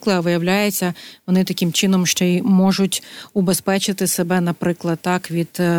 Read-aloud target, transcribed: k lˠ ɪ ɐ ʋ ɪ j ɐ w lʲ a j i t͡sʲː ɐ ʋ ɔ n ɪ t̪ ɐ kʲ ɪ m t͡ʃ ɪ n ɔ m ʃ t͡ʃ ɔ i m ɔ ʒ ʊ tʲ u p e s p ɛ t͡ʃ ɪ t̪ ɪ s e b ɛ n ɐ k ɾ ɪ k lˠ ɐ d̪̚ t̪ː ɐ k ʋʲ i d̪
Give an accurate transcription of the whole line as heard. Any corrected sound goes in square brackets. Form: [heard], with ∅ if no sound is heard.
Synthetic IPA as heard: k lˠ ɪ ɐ ʋ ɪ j ɐ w lʲ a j [e] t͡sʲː ɐ ʋ ɔ n ɪ t̪ ɐ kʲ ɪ m t͡ʃ ɪ n ɔ m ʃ t͡ʃ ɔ i m ɔ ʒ ʊ tʲ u [b] e s p ɛ t͡ʃ ɪ t̪ ɪ s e b ɛ n ɐ [p] ɾ ɪ k lˠ ɐ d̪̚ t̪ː [ɑ] k ʋʲ i d̪